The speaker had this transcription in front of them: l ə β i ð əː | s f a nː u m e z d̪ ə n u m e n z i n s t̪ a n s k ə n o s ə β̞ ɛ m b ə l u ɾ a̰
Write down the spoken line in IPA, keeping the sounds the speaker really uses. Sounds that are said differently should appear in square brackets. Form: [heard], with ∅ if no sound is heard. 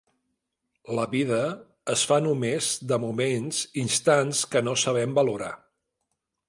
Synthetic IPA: l ə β i ð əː | s f a [n] u m e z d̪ ə [m] u m e n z i n s t̪ a n s k ə n o s ə β̞ ɛ m b ə l u ɾ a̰